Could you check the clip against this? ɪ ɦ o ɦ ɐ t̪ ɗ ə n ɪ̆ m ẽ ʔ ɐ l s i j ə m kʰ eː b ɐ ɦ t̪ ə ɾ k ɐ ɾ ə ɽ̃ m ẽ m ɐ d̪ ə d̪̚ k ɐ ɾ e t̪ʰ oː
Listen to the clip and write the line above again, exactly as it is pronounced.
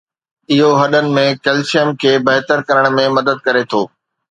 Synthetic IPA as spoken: ɪ ɦ o ɦ ɐ ɗ ə n ɪ̆ m ẽ k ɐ l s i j ə m kʰ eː b ɐ ɦ t̪ ə ɾ k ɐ ɾ ə ɽ̃ m ẽ m ɐ d̪ ə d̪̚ k ɐ ɾ e t̪ʰ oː

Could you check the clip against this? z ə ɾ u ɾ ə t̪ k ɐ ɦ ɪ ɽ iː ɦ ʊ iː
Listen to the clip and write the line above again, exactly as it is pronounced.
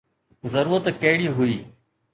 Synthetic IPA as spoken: z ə ɾ uː ɾ ə t̪ k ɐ ɦ ɪ ɽ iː ɦ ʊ iː

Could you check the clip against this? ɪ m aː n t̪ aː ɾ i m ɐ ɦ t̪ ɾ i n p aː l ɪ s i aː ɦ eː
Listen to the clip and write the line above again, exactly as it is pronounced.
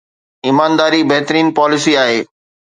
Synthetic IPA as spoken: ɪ m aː n d̪ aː ɾ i b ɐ ɦ t̪ ɾ iː n p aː l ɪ s i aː ɦ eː

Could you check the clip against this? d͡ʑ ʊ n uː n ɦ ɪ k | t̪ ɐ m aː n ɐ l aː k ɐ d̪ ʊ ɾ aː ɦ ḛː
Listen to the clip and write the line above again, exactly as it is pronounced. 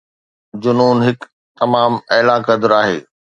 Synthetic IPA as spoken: d͡ʑ ʊ n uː n ɦ ɪ k | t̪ ɐ m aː m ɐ l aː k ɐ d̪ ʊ ɾ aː ɦ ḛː

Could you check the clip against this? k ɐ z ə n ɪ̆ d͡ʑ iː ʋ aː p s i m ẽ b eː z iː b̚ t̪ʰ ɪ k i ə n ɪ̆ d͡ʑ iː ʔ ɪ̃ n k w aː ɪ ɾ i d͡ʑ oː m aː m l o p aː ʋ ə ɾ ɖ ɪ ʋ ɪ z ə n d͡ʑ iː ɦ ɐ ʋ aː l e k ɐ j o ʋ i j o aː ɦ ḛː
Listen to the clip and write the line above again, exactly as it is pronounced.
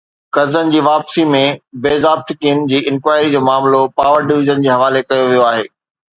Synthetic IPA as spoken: k ɐ z ə n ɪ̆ d͡ʑ iː ʋ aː p s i m ẽ b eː z aː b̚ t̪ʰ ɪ k i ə n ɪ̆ d͡ʑ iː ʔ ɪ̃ n k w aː ɪ ɾ i d͡ʑ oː m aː m l o p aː ʋ ə ɾ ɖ ɪ ʋ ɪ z ə n d͡ʑ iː ɦ ɐ ʋ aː l e k ɐ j o ʋ i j o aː ɦ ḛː

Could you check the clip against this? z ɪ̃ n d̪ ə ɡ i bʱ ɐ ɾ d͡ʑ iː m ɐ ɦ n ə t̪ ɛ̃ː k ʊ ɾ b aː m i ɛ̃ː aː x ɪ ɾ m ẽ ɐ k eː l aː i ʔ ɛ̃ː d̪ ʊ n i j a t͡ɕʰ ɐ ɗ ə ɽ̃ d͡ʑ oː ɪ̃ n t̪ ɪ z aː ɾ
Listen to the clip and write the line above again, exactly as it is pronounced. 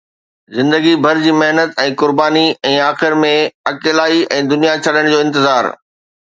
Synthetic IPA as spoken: z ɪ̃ n d̪ ə ɡ i bʱ ɐ ɾ d͡ʑ iː m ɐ ɦ n ə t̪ ɛ̃ː k ʊ ɾ b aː n i ɛ̃ː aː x ɪ ɾ m ẽ ɐ k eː l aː i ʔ ɛ̃ː d̪ ʊ n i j a t͡ɕʰ ɐ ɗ ə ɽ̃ d͡ʑ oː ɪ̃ n t̪ ɪ z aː ɾ

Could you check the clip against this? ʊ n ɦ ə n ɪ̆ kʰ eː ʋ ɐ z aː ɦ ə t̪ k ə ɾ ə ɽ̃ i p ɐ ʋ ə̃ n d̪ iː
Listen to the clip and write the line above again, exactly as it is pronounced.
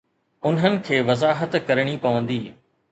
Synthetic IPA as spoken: ʊ n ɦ ə n ɪ̆ kʰ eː ʋ ɐ z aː ɦ ə t̪ k ɐ ɾ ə ɽ̃ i p ɐ ʋ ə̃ n d̪ iː

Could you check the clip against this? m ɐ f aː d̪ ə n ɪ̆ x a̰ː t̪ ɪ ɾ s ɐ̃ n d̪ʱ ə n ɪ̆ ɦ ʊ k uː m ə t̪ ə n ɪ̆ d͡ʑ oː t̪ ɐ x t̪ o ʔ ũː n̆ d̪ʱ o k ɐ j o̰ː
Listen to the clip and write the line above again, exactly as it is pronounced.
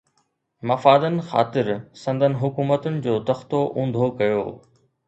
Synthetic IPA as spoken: m ɐ f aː d̪ ə n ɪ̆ x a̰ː t̪ ɪ ɾ s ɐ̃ n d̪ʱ ə n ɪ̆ ɦ ʊ k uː m ə t̪ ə n ɪ̆ d͡ʑ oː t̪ ɐ x t̪ o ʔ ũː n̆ d̪ʱ o k ɐ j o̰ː

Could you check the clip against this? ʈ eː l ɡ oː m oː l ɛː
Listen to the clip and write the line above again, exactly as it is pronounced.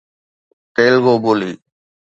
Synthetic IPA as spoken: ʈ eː l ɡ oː b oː l iː

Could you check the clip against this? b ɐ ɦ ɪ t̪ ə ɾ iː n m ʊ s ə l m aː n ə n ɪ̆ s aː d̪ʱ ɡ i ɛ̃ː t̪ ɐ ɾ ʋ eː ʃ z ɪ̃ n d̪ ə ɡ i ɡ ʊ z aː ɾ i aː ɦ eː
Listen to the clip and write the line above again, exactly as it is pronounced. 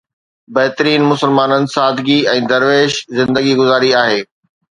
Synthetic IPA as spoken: b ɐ ɦ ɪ t̪ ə ɾ iː n m ʊ s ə l m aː n ə n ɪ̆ s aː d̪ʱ ɡ i ɛ̃ː d̪ ɐ ɾ ʋ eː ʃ z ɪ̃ n d̪ ə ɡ i ɡ ʊ z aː ɾ i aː ɦ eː

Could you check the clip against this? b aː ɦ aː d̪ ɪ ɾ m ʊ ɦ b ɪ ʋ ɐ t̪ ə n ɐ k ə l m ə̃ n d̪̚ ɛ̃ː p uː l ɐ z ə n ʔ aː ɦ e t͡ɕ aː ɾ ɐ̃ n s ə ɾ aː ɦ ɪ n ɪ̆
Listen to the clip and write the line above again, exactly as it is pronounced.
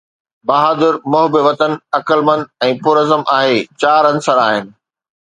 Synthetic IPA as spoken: b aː ɦ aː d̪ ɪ ɾ m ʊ ɦ b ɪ ʋ ɐ t̪ ə n ɐ k ə l m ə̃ n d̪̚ ɛ̃ː p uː ɾ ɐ z ə m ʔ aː ɦ e t͡ɕ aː ɾ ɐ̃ n s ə ɾ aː ɦ ɪ n ɪ̆

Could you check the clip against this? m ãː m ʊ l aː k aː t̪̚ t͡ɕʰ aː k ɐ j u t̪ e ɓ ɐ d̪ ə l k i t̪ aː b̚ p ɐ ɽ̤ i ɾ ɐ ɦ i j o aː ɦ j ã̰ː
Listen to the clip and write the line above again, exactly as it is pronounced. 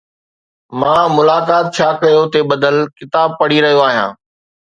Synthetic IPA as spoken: m ãː m ʊ l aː k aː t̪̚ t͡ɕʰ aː k ɐ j o t̪ e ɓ ɐ d̪ ə l k ɪ t̪ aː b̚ p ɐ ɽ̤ i ɾ ɐ ɦ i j o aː ɦ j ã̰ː

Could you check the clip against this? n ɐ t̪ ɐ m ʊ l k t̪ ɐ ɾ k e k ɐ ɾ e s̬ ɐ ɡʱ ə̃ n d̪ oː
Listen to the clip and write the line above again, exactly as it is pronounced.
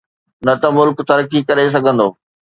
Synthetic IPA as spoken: n ɐ t̪ ɐ m ʊ l k t̪ ɐ ɾ k i k ɐ ɾ e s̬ ɐ ɡʱ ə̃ n d̪ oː

